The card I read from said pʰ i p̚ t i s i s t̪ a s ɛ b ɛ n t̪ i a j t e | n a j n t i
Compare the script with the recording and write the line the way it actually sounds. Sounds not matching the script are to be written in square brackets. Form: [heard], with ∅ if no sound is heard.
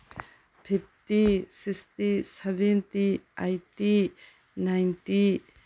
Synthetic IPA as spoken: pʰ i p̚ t i s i s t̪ [i] s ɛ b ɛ n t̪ i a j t [i] | n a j n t i